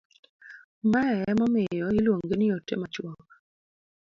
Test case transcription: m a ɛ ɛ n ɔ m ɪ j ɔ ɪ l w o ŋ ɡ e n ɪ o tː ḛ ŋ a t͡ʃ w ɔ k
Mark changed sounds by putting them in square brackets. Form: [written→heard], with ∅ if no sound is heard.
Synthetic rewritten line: m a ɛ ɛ [n→m] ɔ m ɪ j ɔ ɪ l w o ŋ ɡ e n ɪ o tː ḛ [ŋ→m] a t͡ʃ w ɔ k